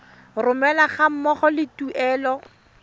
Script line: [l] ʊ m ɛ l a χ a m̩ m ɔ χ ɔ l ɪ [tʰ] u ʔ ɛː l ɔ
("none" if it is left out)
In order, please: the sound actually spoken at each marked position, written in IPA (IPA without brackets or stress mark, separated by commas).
r, t